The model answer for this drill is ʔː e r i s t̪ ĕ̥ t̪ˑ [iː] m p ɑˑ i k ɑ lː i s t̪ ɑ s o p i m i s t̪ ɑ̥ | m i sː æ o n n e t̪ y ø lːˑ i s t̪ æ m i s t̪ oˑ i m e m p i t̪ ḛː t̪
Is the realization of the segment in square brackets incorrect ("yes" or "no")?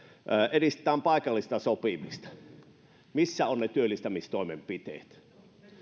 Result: yes